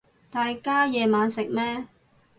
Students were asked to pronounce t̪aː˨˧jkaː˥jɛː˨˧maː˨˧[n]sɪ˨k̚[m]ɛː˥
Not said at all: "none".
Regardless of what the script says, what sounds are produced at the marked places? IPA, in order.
n, m

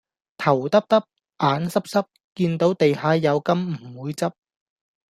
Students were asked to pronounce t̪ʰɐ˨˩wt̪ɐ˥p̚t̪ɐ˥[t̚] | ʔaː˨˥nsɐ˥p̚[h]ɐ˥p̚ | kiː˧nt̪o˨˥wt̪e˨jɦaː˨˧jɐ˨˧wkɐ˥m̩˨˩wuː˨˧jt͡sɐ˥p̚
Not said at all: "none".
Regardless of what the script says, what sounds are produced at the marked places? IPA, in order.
p̚, s

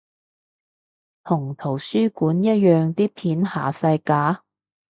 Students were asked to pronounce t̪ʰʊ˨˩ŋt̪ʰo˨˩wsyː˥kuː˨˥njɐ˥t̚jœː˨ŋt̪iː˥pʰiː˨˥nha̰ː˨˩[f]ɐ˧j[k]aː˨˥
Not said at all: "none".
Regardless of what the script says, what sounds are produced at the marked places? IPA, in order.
s, k

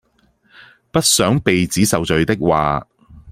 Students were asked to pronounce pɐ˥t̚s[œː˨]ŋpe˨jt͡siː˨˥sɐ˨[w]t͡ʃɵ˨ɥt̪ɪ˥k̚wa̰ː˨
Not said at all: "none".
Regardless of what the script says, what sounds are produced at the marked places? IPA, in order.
œː˨˥, w

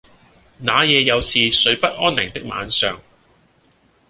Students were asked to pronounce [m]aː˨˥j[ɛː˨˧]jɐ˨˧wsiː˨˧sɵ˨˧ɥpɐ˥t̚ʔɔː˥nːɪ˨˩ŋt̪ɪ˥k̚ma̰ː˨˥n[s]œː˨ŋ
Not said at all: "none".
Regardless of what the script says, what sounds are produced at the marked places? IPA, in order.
n, ɛː˨˧, s

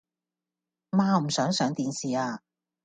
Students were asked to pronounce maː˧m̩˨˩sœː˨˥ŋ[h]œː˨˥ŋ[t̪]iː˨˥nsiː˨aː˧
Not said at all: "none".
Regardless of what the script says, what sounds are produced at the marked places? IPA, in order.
s, t̪

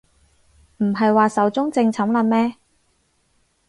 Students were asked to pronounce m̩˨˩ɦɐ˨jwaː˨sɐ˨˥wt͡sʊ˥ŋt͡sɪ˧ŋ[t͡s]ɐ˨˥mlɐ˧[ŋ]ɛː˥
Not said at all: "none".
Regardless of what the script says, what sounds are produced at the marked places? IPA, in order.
t͡sʰ, m

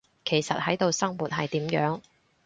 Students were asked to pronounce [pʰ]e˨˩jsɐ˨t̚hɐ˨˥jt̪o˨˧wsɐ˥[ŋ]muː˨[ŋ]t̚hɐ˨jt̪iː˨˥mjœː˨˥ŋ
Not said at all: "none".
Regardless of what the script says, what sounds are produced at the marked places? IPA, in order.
kʰ, ŋ, none

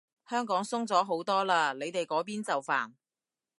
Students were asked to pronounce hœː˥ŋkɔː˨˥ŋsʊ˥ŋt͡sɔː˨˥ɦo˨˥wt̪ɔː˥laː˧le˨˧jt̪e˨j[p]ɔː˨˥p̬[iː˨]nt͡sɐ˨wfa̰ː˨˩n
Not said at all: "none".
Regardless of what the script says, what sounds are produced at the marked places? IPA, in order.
k, iː˥

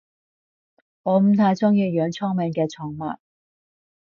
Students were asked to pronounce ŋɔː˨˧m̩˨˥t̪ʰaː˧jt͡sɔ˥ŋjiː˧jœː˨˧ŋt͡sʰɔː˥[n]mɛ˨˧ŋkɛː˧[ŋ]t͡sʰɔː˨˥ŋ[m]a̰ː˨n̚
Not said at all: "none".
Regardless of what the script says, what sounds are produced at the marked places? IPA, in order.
ŋ, none, m

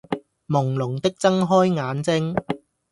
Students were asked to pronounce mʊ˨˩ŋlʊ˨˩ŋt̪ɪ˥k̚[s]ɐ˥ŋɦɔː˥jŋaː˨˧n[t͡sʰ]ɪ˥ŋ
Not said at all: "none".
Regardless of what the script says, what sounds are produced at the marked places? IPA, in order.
t͡s, t͡s

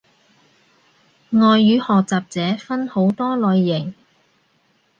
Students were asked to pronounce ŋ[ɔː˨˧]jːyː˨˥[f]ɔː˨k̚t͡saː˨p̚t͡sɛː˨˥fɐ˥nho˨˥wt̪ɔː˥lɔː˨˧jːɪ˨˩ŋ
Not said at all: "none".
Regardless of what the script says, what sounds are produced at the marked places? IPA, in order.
ɔː˨˧, h

